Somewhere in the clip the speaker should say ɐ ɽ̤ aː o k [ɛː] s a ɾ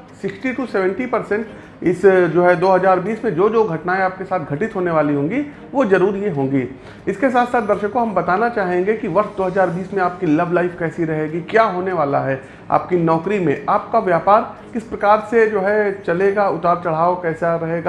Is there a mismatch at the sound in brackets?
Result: no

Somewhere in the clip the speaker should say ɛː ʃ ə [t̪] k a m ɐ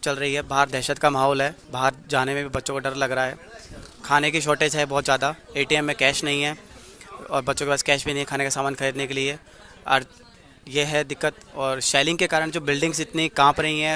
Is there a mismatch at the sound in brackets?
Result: no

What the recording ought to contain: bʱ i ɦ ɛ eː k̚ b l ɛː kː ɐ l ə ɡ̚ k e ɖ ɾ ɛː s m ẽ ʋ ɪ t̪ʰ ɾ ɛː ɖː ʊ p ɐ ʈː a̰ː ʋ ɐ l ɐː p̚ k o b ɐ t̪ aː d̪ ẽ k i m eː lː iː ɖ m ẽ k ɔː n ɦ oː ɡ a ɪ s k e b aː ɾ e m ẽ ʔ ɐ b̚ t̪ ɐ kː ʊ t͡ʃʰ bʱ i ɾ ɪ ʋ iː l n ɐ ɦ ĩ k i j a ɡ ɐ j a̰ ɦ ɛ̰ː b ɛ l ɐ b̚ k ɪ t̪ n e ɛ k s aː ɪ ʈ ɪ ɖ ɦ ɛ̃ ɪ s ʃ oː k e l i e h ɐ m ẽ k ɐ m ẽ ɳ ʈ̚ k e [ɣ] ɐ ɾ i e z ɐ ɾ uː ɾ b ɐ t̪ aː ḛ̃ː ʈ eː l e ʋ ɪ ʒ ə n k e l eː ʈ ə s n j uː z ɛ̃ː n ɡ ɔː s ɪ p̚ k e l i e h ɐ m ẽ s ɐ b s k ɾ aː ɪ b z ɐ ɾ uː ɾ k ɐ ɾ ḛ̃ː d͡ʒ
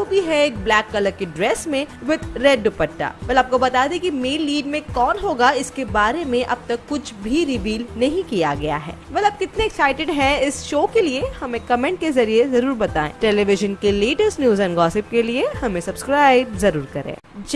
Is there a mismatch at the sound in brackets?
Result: yes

